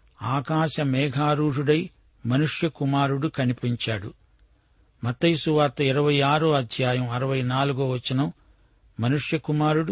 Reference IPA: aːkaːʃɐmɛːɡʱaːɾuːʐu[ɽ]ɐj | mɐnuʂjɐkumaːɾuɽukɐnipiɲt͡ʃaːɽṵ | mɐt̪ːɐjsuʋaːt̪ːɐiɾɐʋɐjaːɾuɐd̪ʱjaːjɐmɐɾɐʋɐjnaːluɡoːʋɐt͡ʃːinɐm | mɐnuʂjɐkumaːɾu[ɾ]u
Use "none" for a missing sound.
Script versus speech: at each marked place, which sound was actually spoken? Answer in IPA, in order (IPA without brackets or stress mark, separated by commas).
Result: ɽ, ɽ